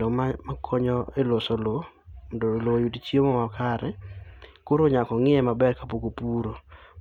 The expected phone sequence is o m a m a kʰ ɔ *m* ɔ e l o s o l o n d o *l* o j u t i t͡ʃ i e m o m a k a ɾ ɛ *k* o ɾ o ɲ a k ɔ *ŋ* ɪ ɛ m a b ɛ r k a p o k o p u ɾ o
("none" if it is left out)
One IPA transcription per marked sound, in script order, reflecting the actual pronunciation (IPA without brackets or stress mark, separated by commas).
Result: ɲ, l, k, ŋ